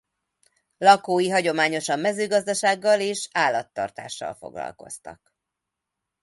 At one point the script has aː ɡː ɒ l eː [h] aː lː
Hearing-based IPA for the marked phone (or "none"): ʃ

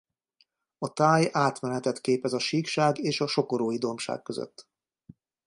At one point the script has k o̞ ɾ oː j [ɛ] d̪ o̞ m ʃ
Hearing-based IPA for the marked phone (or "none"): i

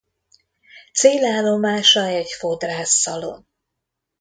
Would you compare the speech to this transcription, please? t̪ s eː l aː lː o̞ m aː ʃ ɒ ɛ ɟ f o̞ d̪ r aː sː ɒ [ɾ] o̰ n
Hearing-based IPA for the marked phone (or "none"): l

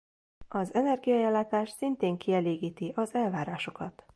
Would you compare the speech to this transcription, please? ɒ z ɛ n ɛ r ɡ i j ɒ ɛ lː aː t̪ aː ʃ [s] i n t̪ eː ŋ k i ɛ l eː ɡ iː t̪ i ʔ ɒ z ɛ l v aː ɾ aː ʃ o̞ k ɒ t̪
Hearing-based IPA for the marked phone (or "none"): s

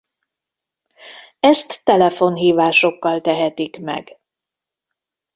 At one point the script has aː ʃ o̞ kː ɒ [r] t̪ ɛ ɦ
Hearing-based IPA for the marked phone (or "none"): l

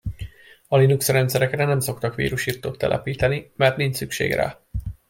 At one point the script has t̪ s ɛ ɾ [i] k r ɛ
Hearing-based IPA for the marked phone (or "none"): ɛ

